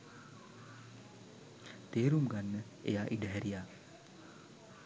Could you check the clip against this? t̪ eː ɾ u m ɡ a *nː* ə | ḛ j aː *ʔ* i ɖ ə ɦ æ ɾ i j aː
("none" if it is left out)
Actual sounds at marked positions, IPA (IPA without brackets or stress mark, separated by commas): nː, ʔ